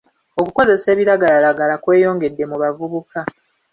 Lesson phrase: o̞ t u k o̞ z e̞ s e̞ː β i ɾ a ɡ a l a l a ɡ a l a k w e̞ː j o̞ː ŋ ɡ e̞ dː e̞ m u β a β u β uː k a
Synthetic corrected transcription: o̞ k u k o̞ z e̞ s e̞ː β i ɾ a ɡ a l a l a ɡ a l a k w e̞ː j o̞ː ŋ ɡ e̞ dː e̞ m u β a v u β u k a

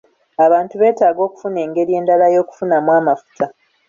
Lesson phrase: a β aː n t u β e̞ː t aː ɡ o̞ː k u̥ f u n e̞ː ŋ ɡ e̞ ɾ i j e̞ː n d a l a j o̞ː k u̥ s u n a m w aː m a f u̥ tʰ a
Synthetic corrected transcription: a β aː n t u β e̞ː t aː ɡ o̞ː k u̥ f u n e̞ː ŋ ɡ e̞ ɾ i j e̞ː n d a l a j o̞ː k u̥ f u n a m w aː m a f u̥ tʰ a

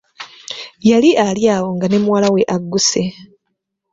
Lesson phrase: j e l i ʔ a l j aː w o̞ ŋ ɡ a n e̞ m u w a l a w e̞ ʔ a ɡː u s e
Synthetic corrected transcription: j a l i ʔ a l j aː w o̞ ŋ ɡ a n e̞ m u w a l a w e̞ ʔ a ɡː u s e

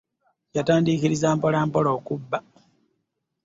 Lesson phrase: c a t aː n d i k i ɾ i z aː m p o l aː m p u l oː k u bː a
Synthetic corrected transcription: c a t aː n d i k i ɾ i z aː m p o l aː m p o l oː k u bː a

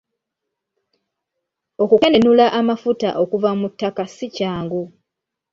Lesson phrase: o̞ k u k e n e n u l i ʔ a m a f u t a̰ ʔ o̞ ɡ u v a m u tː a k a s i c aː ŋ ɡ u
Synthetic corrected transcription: o̞ k u k e n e n u l a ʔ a m a f u t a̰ ʔ o̞ k u v a m u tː a k a s i c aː ŋ ɡ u

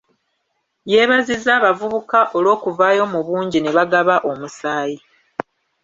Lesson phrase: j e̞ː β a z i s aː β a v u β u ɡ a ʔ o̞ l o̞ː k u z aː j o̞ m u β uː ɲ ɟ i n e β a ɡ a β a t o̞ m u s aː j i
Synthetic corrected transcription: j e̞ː β a z i z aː β a v u β u k a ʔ o̞ l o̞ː k u v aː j o̞ m u β uː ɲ ɟ i n e β a ɡ a β a ʔ o̞ m u s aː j i

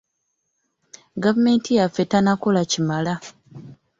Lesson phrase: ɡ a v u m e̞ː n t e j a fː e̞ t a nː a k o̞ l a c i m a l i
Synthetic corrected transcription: ɡ a v u m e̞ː n t i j a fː e̞ t a n a k o̞ l a c i m a l a

